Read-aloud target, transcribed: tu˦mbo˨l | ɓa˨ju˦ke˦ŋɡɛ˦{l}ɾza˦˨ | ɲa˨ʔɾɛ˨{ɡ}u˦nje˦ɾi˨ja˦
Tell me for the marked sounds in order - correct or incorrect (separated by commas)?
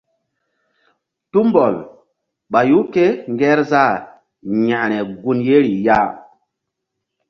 incorrect, correct